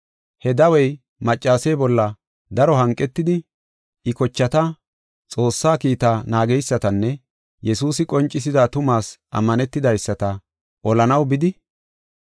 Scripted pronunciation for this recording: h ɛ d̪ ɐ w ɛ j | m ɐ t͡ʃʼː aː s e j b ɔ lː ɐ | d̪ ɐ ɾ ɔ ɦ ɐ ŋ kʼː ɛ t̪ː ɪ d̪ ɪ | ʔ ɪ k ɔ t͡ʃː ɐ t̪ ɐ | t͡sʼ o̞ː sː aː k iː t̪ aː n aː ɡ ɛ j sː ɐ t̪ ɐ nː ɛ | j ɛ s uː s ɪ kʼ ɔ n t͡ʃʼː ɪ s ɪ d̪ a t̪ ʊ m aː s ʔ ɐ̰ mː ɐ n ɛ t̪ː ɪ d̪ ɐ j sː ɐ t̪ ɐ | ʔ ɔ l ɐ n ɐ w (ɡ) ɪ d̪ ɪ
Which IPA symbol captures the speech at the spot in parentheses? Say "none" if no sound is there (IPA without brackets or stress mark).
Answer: b